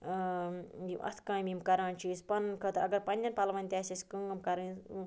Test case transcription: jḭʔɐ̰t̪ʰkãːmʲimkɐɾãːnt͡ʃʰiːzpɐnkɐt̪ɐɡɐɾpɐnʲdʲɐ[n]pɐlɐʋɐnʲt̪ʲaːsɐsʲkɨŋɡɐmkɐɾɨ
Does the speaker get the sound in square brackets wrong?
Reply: no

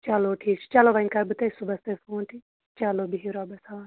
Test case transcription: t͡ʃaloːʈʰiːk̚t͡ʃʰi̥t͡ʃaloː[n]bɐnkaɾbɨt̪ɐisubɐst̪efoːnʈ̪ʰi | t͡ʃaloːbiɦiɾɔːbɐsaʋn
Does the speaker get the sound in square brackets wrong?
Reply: yes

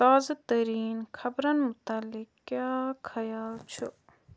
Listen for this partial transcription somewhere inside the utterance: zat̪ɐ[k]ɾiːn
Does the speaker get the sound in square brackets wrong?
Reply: yes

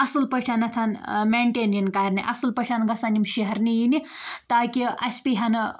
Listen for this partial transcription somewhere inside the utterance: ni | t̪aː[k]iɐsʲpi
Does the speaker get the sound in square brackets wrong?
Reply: no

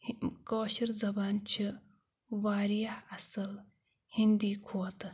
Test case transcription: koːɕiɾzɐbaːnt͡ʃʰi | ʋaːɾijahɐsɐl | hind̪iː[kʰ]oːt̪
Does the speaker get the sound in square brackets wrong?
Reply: no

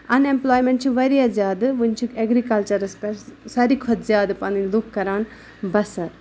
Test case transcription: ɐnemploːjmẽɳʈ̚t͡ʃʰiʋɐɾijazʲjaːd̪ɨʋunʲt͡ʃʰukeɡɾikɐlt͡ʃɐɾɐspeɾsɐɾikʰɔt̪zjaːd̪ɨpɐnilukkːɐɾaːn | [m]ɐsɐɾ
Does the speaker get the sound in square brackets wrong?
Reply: yes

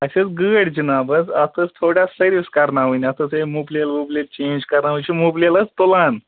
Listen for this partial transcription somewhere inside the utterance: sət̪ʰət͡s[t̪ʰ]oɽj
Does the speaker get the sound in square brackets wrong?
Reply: no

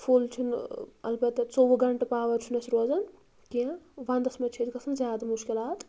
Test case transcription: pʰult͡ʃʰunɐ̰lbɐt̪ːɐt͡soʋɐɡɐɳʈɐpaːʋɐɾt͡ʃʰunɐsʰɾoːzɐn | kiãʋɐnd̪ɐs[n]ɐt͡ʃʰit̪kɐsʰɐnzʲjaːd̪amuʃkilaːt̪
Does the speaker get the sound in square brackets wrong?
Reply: yes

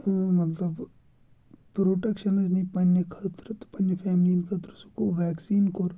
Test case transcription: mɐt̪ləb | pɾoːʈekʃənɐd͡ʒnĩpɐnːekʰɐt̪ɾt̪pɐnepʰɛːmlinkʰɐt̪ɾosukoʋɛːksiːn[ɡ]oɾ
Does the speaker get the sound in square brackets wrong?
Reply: yes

